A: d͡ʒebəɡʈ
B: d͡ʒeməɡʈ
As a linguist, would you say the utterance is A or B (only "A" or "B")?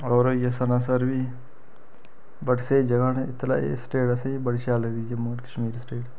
B